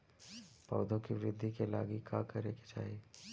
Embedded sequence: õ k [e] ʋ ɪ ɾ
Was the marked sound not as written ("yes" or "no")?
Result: yes